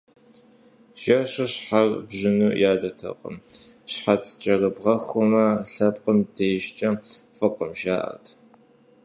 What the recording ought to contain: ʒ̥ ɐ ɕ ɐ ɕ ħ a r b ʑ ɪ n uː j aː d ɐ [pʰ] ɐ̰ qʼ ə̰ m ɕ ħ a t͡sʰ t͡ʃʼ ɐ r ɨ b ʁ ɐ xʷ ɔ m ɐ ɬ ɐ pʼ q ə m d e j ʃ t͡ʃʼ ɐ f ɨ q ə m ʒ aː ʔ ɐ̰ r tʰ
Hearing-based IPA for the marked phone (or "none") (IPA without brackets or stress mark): tʰ